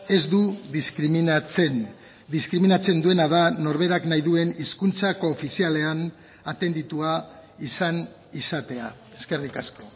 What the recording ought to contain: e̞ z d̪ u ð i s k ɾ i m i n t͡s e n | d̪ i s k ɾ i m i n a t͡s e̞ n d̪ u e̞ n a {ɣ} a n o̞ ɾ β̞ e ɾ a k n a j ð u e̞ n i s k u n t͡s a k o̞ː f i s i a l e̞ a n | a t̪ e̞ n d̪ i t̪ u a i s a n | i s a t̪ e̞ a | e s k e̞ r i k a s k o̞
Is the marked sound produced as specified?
no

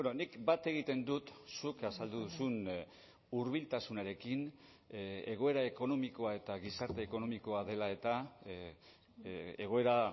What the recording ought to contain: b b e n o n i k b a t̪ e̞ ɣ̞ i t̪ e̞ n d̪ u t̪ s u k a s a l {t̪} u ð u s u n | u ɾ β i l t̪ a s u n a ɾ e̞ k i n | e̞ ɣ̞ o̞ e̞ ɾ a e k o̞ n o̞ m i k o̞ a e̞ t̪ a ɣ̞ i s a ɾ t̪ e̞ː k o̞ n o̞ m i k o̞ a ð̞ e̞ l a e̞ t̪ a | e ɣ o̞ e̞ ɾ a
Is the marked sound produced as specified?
no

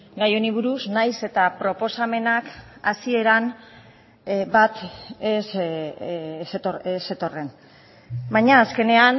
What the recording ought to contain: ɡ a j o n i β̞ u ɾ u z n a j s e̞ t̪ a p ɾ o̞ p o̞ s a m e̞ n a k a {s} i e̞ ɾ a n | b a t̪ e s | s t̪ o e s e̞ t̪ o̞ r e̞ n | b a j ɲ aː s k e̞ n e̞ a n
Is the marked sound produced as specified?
yes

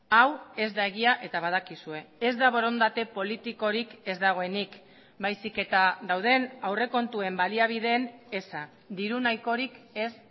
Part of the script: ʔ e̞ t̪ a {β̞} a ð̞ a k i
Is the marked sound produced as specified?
yes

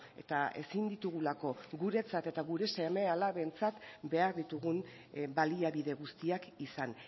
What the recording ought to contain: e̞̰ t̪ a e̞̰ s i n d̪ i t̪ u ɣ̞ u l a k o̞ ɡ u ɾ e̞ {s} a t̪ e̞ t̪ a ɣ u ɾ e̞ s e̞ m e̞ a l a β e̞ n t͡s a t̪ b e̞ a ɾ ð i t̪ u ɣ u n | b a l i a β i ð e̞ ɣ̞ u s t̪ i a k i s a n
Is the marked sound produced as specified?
no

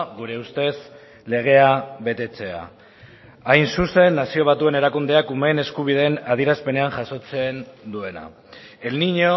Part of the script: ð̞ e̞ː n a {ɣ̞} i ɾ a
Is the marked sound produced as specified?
no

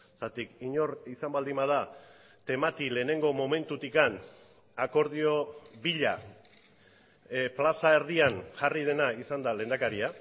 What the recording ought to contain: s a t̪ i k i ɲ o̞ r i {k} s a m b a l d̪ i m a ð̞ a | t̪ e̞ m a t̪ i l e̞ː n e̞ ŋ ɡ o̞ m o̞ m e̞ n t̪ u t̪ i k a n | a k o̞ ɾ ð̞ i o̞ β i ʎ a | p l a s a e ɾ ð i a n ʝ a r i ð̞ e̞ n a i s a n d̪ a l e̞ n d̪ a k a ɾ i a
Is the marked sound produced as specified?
no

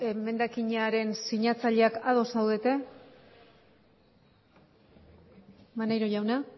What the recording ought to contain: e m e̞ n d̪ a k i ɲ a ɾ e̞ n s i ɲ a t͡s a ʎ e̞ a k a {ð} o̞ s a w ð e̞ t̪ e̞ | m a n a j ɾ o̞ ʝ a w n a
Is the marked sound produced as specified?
yes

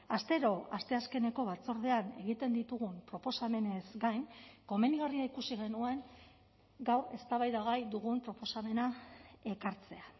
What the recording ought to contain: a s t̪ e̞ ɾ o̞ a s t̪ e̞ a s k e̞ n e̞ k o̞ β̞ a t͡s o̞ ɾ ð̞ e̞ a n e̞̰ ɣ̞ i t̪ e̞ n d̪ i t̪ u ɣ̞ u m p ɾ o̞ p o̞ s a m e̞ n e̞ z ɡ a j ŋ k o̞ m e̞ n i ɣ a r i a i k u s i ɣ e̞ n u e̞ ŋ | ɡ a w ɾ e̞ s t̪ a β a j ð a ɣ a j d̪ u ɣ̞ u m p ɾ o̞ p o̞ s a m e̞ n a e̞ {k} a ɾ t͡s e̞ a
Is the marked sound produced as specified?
yes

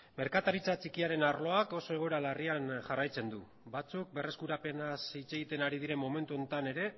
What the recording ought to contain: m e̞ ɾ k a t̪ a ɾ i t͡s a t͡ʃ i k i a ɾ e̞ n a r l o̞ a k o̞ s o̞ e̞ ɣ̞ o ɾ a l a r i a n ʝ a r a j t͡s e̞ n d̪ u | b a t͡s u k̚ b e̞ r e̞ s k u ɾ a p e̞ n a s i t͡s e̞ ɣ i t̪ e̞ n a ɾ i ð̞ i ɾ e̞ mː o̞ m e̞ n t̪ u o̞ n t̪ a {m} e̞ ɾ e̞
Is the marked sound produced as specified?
no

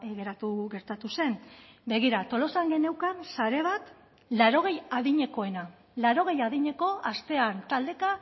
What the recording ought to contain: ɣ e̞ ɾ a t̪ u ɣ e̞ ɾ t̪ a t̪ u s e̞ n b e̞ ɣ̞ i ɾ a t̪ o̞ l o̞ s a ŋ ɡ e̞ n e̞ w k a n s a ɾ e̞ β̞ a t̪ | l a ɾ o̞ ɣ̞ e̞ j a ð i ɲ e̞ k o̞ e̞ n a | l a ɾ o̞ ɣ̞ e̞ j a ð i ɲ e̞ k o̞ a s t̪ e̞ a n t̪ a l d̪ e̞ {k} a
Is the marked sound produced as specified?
yes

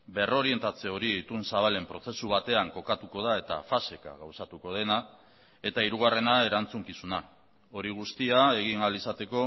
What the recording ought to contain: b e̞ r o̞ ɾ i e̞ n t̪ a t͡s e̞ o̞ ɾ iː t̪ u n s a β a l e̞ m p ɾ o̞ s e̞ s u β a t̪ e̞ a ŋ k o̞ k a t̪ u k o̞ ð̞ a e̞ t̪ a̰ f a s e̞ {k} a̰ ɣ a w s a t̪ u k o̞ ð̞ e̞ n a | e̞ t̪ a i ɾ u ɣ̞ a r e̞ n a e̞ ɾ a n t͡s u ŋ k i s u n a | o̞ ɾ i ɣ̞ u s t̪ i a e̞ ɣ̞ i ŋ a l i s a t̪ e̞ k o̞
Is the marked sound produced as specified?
yes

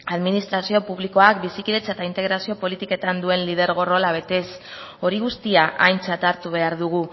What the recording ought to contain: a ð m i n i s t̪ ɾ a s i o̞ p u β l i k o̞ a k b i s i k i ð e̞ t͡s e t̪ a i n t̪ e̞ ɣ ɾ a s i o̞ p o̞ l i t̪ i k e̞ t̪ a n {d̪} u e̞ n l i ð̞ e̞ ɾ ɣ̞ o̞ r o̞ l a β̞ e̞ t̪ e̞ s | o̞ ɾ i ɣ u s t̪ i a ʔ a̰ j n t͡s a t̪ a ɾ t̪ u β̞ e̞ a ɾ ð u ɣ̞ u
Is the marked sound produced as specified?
yes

